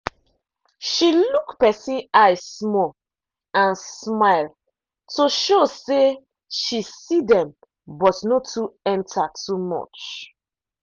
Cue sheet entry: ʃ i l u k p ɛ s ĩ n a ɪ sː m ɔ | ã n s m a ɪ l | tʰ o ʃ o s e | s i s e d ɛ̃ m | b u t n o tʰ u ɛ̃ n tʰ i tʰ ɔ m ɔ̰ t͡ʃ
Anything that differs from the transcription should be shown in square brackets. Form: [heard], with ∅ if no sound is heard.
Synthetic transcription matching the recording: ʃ i l u k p ɛ s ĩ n a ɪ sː m ɔ | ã n s m a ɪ l | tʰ o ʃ o s e | [ʃ] i s [i] d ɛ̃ m | b [ɔ] t n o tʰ u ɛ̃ n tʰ [a] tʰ [u] m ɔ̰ t͡ʃ